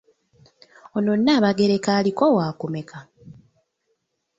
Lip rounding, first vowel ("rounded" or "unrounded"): rounded